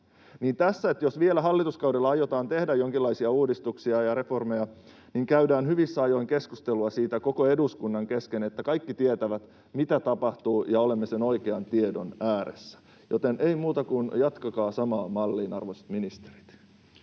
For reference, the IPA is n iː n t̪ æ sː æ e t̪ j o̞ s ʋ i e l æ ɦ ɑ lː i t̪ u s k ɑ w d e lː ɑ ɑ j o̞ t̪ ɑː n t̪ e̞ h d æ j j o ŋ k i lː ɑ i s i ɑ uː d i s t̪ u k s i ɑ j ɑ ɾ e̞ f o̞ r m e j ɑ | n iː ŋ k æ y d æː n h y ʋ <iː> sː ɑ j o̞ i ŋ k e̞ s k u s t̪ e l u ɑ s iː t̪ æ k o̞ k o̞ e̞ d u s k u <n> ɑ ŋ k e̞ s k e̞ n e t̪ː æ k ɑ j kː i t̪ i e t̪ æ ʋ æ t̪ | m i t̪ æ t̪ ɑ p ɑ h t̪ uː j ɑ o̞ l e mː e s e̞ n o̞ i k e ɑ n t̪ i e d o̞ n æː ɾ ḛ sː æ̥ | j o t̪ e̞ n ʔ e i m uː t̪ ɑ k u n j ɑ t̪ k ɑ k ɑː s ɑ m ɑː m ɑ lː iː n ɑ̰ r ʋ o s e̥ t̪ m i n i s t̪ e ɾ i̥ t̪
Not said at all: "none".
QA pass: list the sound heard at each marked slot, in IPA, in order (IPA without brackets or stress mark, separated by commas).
i, nː